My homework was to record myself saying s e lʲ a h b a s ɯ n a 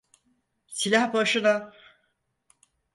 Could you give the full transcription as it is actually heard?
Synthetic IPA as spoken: s i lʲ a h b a ʃ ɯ n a